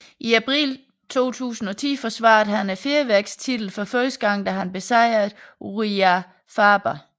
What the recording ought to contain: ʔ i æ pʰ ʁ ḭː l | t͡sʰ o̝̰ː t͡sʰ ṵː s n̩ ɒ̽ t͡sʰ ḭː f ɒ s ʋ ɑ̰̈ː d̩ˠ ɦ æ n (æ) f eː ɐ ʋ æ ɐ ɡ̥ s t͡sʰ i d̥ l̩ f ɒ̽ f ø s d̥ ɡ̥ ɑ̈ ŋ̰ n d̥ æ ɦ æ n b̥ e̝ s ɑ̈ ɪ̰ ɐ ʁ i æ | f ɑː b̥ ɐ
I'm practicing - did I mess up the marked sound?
no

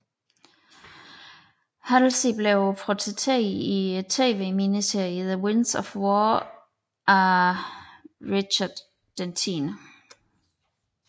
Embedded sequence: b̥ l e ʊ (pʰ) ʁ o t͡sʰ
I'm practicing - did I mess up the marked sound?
no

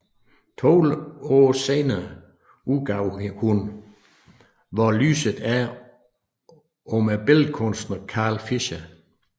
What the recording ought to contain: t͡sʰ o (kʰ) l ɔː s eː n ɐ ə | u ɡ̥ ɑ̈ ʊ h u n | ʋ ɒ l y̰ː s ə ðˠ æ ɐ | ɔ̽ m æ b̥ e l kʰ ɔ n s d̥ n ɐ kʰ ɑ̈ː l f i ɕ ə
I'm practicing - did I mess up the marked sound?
yes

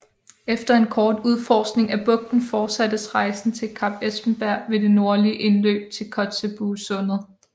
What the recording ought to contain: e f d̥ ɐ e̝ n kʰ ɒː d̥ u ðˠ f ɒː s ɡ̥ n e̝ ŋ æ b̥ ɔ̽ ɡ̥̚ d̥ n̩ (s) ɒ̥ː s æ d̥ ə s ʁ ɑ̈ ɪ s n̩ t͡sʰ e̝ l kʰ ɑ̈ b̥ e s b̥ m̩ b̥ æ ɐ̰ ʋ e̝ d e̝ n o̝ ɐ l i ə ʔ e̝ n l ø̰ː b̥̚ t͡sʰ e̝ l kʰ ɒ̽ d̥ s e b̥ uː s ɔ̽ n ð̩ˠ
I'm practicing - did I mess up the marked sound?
yes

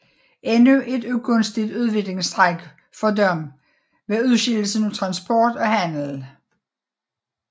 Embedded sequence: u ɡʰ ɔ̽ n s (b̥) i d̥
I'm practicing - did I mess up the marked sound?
yes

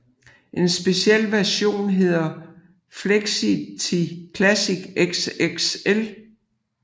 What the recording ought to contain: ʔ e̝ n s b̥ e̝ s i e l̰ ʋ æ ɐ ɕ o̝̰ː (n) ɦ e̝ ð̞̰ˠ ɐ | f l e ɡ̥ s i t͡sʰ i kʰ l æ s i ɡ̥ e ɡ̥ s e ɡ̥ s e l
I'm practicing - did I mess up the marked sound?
no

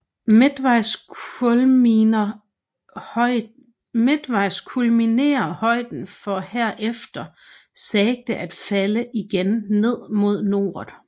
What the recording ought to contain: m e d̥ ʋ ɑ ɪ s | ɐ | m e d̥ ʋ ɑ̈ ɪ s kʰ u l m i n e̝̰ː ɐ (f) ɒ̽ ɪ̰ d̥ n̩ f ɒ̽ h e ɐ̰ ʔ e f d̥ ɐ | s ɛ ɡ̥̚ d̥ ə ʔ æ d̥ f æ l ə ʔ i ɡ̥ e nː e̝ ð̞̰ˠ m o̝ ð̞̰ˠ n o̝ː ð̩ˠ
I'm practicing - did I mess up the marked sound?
yes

